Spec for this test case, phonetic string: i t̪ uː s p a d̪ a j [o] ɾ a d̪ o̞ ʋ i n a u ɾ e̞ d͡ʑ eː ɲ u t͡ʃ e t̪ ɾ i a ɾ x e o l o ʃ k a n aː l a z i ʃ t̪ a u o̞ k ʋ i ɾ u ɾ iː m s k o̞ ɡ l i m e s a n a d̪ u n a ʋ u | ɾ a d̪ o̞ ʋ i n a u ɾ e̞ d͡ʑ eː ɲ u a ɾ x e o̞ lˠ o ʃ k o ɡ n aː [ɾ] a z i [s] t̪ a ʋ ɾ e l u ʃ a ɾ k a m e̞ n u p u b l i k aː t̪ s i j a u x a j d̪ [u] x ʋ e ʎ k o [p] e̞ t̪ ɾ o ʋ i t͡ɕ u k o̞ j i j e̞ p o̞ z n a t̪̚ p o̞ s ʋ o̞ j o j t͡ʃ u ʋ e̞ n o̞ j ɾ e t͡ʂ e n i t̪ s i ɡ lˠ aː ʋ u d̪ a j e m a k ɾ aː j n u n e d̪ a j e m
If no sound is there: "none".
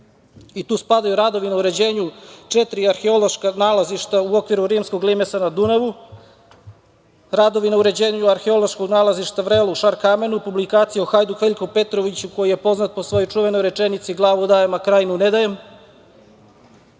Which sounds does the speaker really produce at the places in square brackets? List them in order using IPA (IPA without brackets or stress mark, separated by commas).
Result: u, l, ʃ, u, p